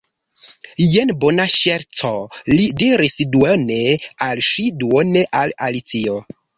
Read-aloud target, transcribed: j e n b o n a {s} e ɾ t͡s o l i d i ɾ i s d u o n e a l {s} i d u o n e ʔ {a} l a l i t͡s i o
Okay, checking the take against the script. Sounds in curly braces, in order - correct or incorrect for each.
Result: incorrect, incorrect, correct

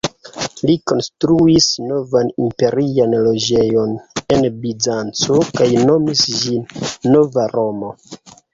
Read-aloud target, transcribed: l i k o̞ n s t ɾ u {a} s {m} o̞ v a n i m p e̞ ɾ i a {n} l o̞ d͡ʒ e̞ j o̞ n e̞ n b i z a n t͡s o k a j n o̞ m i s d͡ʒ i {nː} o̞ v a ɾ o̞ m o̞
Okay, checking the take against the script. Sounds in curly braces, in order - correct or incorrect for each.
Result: incorrect, incorrect, correct, correct

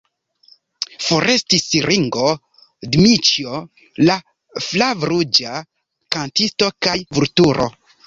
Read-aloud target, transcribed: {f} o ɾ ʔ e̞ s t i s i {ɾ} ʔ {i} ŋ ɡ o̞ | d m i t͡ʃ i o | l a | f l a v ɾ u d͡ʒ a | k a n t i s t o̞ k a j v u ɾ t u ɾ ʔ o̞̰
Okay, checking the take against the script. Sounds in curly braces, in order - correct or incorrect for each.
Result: correct, correct, correct

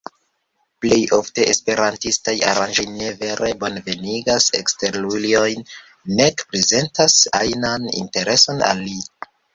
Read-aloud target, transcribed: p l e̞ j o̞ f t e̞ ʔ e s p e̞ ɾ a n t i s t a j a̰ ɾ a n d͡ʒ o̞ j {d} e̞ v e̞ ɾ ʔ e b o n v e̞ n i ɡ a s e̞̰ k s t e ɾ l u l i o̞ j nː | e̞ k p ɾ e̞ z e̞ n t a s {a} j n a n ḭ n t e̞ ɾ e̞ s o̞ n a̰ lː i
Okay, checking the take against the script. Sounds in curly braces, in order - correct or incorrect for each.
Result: incorrect, correct

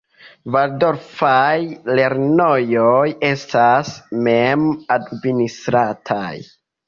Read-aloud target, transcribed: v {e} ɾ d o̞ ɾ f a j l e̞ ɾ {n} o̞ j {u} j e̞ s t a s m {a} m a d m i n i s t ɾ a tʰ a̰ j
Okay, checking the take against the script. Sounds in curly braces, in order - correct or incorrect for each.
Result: incorrect, correct, incorrect, incorrect

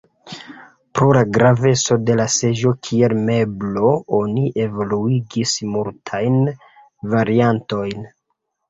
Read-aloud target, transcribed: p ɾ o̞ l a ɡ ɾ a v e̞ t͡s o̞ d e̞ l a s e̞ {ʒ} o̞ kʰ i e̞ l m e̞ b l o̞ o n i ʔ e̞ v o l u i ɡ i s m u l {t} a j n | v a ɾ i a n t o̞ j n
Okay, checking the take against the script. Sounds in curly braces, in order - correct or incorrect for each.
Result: correct, incorrect

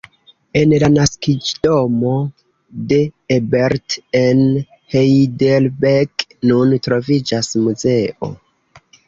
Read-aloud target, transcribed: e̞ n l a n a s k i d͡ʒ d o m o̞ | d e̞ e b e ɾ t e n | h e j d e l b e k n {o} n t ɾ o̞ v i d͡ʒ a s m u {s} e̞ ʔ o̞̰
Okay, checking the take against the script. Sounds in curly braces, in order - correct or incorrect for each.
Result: incorrect, incorrect

